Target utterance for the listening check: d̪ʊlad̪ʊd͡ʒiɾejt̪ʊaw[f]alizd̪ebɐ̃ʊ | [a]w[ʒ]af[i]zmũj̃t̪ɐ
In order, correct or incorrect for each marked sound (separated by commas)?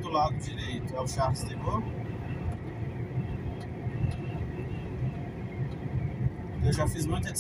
incorrect, incorrect, correct, correct